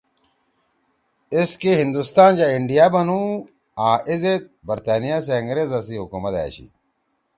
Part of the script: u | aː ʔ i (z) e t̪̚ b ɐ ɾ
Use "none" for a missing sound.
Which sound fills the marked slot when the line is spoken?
z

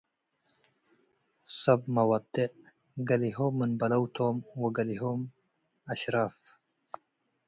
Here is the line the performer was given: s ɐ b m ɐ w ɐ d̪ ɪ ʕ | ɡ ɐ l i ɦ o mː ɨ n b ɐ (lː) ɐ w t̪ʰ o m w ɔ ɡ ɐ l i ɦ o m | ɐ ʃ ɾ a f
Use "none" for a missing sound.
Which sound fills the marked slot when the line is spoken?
l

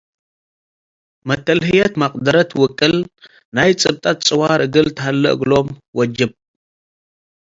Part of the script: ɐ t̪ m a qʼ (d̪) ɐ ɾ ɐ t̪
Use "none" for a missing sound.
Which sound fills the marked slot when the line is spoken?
d̪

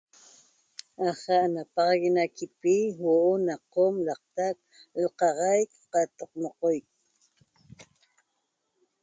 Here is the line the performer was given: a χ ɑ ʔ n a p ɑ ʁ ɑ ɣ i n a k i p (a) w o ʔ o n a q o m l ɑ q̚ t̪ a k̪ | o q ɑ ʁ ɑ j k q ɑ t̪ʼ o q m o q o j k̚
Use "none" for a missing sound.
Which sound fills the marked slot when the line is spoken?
i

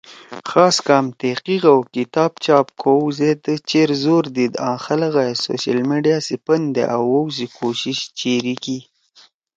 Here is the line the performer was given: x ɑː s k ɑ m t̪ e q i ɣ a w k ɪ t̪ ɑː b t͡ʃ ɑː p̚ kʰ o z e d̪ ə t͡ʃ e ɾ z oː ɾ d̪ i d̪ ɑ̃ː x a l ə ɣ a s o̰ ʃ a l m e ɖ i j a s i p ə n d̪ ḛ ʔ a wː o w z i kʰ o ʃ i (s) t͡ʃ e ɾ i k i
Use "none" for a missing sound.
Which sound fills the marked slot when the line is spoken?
ʃ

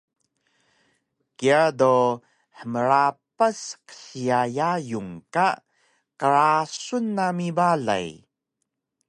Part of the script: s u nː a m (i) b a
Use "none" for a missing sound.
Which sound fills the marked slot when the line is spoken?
i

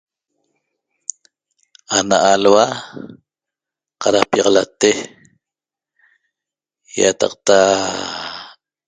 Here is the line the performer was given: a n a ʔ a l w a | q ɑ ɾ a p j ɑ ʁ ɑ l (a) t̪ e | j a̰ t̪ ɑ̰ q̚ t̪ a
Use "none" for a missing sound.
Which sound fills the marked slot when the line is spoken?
a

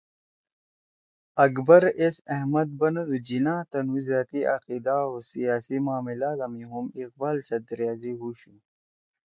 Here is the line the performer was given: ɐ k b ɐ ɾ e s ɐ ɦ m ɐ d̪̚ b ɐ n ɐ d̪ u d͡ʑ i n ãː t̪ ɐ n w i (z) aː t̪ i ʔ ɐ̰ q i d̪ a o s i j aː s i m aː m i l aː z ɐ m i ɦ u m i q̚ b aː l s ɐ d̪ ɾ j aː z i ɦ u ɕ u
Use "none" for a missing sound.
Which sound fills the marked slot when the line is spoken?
z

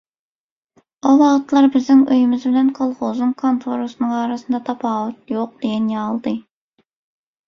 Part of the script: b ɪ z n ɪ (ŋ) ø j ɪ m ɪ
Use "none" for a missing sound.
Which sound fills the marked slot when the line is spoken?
ŋ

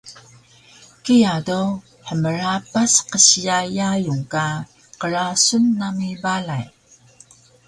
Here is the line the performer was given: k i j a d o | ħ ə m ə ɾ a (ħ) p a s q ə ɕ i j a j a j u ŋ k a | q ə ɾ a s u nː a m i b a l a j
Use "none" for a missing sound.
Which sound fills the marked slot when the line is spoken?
none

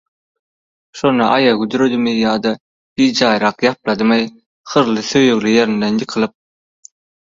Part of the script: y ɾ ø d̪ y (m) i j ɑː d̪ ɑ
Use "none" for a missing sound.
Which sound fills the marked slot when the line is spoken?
m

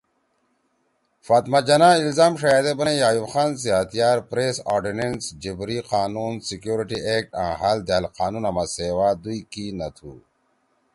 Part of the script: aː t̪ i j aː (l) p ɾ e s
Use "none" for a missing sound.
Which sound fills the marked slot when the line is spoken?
ɾ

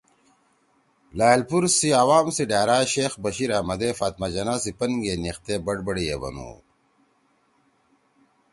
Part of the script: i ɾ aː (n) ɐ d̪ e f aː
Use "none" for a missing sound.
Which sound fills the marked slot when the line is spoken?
m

